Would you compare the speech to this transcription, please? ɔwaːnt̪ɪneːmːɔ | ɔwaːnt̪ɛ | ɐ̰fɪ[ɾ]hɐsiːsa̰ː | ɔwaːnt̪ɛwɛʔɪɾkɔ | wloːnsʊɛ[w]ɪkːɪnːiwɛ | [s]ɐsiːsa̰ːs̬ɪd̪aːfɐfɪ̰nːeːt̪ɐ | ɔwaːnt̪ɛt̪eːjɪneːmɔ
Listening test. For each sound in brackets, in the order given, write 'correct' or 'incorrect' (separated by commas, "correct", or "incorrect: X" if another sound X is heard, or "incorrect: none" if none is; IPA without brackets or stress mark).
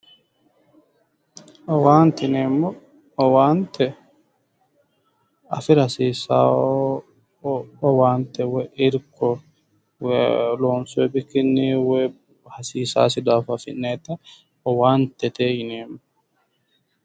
correct, incorrect: b, incorrect: h